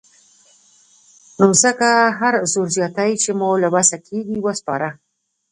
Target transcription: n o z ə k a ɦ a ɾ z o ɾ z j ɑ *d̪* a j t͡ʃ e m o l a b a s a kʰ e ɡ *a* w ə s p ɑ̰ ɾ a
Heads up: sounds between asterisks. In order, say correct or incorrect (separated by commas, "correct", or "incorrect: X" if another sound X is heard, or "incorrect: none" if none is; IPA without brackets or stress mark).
incorrect: t̪, incorrect: i